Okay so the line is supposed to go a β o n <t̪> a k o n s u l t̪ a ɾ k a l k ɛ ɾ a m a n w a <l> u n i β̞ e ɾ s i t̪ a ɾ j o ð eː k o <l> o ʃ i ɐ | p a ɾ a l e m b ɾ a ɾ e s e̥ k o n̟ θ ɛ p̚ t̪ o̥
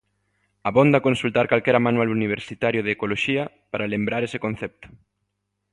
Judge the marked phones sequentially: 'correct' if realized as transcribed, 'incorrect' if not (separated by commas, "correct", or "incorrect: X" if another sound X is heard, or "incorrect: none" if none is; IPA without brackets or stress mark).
incorrect: d̪, correct, correct